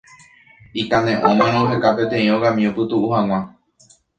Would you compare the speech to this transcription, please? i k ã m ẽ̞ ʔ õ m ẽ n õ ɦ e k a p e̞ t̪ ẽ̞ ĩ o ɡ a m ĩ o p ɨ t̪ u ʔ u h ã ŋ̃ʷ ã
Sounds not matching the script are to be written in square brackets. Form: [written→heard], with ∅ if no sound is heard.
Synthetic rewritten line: i k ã [m→n] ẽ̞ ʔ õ m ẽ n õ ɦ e k a p e̞ t̪ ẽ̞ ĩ o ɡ a m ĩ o p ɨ t̪ u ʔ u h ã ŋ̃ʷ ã